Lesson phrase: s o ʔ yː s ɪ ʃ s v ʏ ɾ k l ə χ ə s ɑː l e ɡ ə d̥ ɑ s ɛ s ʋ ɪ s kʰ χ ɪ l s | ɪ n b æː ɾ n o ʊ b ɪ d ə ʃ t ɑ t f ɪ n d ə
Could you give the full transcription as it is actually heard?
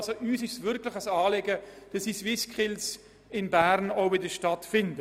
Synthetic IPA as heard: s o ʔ yː s ɪ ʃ s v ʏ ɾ k l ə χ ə s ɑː l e ɡ ə d̥ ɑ s i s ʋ ɪ s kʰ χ ɪ l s | ɪ n b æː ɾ n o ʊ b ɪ d ə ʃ t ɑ t f ɪ n d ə